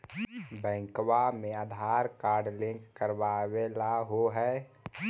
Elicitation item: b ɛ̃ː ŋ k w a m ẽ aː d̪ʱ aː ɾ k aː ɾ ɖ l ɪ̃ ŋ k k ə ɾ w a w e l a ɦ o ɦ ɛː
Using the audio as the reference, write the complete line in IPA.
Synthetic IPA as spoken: b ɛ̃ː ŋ k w a m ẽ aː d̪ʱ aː ɾ k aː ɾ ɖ l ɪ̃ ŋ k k ə ɾ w a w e l a ɦ o ɦ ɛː